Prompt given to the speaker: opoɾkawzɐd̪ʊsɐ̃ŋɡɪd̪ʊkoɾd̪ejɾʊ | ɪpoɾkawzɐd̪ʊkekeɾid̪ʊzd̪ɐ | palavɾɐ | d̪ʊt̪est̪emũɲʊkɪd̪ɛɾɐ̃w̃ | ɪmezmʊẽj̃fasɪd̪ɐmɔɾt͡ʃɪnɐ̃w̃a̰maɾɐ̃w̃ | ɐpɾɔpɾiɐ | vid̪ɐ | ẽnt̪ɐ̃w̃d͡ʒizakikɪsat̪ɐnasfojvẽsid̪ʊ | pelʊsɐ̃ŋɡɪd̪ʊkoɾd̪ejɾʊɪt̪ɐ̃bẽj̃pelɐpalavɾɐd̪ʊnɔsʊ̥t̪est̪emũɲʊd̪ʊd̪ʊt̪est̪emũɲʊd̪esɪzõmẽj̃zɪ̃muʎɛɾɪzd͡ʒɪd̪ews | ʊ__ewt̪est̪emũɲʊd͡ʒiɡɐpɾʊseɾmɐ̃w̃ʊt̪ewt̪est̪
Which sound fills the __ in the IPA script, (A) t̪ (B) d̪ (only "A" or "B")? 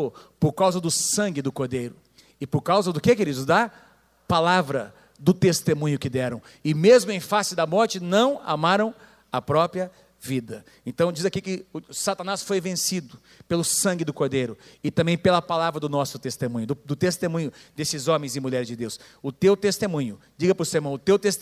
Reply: A